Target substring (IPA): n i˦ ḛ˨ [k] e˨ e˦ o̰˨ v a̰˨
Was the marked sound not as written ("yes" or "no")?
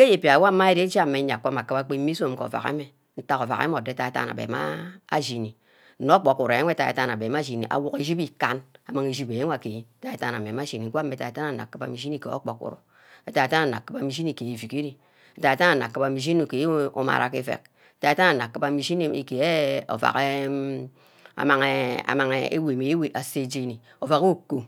no